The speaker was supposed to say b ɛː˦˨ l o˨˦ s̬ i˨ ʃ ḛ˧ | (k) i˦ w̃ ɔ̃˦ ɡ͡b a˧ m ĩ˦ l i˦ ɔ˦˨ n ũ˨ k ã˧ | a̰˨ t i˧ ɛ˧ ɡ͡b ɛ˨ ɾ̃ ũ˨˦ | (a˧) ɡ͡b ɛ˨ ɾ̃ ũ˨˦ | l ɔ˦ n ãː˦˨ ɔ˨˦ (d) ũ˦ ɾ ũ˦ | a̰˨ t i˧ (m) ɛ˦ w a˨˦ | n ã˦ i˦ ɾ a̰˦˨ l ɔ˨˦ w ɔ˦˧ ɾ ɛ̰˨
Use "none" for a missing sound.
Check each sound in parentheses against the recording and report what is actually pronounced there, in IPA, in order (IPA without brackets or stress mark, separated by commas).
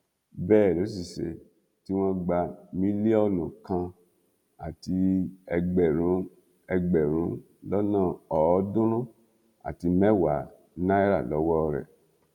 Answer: t, ɛ˧, d, m